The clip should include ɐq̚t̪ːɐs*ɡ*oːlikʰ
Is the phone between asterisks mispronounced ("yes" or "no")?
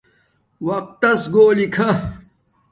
no